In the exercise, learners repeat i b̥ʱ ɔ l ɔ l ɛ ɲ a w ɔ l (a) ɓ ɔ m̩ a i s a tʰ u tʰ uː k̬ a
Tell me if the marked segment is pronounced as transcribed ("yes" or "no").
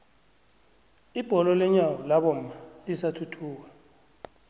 yes